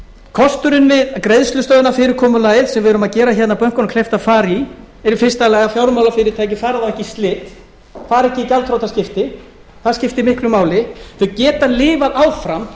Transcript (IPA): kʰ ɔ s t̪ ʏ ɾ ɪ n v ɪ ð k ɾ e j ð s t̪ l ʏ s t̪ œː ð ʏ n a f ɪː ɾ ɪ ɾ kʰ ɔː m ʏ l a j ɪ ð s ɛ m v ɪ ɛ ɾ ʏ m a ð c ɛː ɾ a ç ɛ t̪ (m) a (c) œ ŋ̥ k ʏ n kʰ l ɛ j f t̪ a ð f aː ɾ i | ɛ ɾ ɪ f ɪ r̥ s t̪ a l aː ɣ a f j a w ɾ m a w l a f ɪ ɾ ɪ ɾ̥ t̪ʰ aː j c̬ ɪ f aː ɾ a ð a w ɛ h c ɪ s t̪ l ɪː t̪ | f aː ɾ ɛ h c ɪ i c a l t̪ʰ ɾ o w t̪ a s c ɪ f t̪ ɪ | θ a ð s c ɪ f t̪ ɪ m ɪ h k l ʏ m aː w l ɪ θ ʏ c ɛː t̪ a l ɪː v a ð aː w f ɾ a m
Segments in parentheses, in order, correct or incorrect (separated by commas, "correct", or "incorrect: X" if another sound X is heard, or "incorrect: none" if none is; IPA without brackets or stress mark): incorrect: n, incorrect: p